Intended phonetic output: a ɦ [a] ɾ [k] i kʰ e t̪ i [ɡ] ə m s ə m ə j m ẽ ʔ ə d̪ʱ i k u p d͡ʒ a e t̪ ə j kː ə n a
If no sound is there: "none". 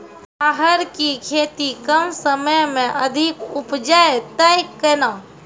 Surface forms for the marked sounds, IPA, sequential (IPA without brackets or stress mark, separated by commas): ə, k, k